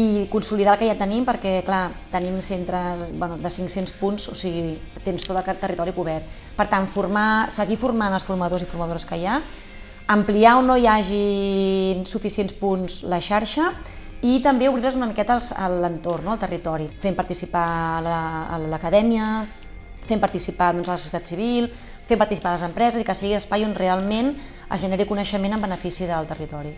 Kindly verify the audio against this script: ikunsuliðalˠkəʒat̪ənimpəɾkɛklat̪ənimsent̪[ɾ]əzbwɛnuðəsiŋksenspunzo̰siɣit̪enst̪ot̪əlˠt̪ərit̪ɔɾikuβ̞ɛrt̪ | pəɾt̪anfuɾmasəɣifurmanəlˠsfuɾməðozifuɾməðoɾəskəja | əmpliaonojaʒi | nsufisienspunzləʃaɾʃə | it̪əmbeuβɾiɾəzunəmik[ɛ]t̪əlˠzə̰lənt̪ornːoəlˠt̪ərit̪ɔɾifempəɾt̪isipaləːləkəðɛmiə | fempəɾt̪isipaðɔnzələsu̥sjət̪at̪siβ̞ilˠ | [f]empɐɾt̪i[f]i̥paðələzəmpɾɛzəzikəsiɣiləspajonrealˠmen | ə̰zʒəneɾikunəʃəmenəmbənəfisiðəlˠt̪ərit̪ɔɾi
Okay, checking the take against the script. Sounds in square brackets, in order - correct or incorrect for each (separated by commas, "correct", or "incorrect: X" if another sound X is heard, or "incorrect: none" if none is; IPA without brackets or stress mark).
correct, correct, correct, incorrect: s